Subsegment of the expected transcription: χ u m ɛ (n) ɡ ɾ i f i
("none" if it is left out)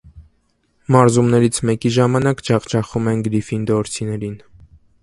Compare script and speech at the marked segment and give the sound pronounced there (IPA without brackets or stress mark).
n